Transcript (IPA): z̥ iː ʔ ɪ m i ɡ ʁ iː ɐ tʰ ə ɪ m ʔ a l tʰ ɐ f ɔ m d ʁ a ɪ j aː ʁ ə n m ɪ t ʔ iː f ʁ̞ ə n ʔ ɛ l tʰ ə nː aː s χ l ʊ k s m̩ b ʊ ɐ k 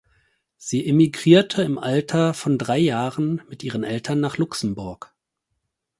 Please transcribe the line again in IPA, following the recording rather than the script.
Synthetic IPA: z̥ iː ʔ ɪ m i ɡ ʁ iː ɐ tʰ ə ɪ m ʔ a l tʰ ɐ f ɔ n d ʁ a ɪ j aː ʁ ə n m ɪ t ʔ iː ʁ̞ ə n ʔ ɛ l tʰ ɐ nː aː χ l ʊ k s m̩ b ʊ ɐ k

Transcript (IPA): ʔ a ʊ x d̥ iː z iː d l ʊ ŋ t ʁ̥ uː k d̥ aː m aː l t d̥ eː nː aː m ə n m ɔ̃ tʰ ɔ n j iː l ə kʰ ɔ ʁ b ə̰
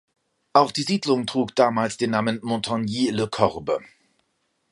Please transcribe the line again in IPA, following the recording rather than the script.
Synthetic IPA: ʔ a ʊ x d̥ iː z iː d l ʊ ŋ t ʁ̥ uː k d̥ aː m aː l s d̥ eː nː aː m ə n m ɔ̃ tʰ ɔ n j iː l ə kʰ ɔ ʁ b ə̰

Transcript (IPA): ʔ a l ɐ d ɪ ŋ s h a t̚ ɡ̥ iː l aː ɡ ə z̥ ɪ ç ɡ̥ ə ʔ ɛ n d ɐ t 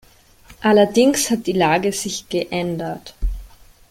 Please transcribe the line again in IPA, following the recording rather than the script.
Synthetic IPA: ʔ a l ɐ d ɪ ŋ s h a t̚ d̥ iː l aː ɡ ə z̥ ɪ ç ɡ̥ ə ʔ ɛ n d ɐ t

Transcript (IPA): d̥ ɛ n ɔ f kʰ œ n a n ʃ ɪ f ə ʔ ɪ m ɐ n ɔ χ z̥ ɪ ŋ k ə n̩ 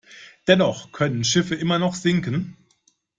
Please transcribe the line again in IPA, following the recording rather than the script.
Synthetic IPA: d̥ ɛ n ɔ χ kʰ œ n ə n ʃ ɪ f ə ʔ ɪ m ɐ n ɔ χ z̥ ɪ ŋ k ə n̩

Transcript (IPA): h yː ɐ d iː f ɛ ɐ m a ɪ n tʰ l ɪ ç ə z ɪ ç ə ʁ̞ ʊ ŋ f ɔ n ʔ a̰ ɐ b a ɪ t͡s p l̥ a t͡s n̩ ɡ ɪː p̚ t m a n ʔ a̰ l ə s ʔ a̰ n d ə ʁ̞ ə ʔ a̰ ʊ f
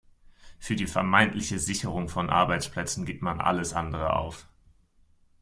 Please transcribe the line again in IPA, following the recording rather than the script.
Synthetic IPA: f yː ɐ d iː f ɛ ɐ m a ɪ n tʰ l ɪ ç ə z ɪ ç ə ʁ̞ ʊ ŋ f ɔ n ʔ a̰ ɐ b a ɪ t͡s p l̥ ɛ t͡s n̩ ɡ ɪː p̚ t m a n ʔ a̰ l ə s ʔ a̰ n d ə ʁ̞ ə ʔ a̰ ʊ f

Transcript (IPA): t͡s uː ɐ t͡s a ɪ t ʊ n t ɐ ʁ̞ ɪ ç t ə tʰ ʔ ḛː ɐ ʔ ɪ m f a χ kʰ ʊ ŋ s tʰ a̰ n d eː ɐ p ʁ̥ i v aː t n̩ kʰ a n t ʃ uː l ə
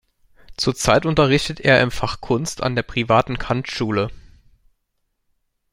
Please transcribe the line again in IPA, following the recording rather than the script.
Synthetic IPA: t͡s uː ɐ t͡s a ɪ t ʊ n t ɐ ʁ̞ ɪ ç t ə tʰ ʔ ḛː ɐ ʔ ɪ m f a χ kʰ ʊ n s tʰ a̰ n d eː ɐ p ʁ̥ i v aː t n̩ kʰ a n t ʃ uː l ə

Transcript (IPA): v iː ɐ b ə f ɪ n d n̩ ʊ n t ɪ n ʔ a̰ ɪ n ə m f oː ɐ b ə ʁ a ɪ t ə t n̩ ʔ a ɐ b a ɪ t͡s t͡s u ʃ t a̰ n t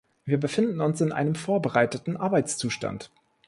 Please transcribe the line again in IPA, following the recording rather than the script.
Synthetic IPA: v iː ɐ b ə f ɪ n d n̩ ʊ n s ɪ n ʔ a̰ ɪ n ə m f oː ɐ b ə ʁ a ɪ t ə t n̩ ʔ a ɐ b a ɪ t͡s t͡s uː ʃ t a̰ n t

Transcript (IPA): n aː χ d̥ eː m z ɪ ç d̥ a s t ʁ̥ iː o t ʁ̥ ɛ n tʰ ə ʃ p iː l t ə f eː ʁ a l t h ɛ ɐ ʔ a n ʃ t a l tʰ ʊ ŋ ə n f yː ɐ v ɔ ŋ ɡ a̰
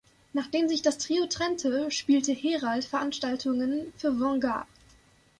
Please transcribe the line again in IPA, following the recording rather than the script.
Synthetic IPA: n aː χ d̥ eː m z ɪ ç d̥ a s t ʁ̥ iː o t ʁ̥ ɛ n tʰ ə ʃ p iː l t ə h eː ʁ a l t f ɛ ɐ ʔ a n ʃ t a l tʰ ʊ ŋ ə n f yː ɐ v ɔ ŋ ɡ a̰

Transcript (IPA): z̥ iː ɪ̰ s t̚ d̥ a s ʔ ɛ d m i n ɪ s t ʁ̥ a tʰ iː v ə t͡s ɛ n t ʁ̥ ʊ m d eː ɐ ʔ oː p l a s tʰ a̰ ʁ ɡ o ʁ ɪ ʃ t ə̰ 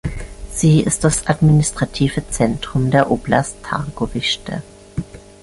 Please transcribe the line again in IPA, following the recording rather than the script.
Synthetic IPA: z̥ iː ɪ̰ s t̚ d̥ a s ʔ a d m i n ɪ s t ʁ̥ a tʰ iː v ə t͡s ɛ n t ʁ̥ ʊ m d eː ɐ ʔ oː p l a s tʰ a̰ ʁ ɡ o v ɪ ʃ t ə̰

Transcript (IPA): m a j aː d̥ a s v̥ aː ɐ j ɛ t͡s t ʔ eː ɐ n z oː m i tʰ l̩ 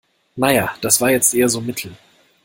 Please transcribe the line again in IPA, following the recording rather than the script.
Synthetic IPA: n a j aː d̥ a s v̥ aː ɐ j ɛ t͡s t ʔ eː ɐ z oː m ɪ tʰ l̩

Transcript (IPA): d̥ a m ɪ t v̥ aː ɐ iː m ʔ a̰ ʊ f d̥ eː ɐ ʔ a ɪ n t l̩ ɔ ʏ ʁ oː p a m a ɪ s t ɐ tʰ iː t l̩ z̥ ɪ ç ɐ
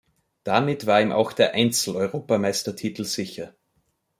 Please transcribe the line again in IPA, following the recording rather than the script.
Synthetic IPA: d̥ a m ɪ t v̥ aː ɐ iː m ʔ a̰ ʊ x d̥ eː ɐ ʔ a ɪ n t͡s l̩ ɔ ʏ ʁ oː p a m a ɪ s t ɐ tʰ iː t l̩ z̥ ɪ ç ɐ

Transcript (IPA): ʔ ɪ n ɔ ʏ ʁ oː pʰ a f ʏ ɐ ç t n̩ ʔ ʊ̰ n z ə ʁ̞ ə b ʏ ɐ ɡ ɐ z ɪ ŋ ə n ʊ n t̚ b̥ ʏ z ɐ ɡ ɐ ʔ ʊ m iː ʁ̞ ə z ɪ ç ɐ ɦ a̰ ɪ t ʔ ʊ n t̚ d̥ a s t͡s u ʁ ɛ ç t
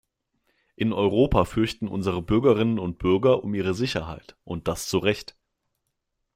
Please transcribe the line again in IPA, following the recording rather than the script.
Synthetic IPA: ʔ ɪ n ɔ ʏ ʁ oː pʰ a f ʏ ɐ ç t n̩ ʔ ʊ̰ n z ə ʁ̞ ə b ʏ ɐ ɡ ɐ ʁ ɪ n ə n ʊ n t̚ b̥ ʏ ɐ ɡ ɐ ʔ ʊ m iː ʁ̞ ə z ɪ ç ɐ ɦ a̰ ɪ t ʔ ʊ n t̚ d̥ a s t͡s u ʁ ɛ ç t

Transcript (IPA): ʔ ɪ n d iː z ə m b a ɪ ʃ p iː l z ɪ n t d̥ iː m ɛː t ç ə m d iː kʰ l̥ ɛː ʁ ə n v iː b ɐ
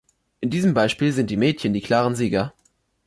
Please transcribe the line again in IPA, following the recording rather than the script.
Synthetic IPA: ʔ ɪ n d iː z ə m b a ɪ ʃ p iː l z ɪ n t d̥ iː m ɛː t ç ə n d iː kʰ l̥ aː ʁ ə n z iː ɡ ɐ

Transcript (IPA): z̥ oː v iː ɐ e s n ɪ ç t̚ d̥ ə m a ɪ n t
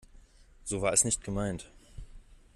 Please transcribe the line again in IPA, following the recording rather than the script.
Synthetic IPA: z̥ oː v aː ɐ ɛ s n ɪ ç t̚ ɡ̥ ə m a ɪ n t

